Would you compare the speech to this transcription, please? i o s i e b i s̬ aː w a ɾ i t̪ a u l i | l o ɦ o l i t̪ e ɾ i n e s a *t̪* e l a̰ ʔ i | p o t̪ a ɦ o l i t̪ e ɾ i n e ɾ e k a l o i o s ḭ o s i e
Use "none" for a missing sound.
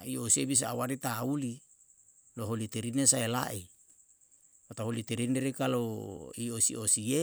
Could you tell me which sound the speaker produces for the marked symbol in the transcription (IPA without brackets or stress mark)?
none